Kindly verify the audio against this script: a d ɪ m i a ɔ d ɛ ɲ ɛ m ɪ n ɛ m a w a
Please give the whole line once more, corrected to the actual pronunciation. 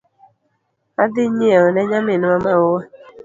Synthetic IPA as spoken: a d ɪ ɲ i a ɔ n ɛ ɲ a m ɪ n a m a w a